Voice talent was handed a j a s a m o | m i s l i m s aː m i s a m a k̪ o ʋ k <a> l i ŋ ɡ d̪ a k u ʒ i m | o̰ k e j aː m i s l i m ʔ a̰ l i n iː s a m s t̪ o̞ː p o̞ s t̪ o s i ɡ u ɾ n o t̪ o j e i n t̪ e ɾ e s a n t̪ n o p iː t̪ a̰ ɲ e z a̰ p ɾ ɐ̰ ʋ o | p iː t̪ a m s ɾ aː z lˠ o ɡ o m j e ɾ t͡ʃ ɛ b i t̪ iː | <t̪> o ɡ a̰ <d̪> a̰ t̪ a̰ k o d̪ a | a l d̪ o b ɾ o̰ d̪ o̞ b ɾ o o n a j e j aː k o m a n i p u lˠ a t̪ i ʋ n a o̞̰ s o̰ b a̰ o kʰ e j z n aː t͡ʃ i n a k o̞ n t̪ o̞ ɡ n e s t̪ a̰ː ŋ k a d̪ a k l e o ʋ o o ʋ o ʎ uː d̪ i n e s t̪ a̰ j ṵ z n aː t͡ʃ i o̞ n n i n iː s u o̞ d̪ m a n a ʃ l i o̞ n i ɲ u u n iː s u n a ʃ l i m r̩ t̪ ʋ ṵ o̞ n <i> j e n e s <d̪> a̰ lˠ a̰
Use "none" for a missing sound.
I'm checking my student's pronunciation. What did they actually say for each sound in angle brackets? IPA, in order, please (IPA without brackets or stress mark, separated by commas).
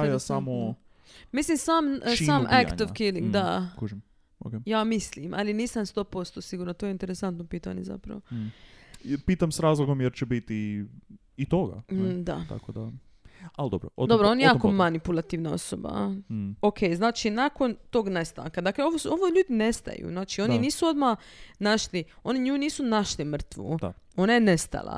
i, t̪, d̪, a, t̪